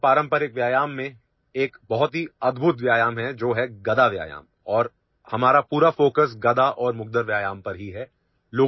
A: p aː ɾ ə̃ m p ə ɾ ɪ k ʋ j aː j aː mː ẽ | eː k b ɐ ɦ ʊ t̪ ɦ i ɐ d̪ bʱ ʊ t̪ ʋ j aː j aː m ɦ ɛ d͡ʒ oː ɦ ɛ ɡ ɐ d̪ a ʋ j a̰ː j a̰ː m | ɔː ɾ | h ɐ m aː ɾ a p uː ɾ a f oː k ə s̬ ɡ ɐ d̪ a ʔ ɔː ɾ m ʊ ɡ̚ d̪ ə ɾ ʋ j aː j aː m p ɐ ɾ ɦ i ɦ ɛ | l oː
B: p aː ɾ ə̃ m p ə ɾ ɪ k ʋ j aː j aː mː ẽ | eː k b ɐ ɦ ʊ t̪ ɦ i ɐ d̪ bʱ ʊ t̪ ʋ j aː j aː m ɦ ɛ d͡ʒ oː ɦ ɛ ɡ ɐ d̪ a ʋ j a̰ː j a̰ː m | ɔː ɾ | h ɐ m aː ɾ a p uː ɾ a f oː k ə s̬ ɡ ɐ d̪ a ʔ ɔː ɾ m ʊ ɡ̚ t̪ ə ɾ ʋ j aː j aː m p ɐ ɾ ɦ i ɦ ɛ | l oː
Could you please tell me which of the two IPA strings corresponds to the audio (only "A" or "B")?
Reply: A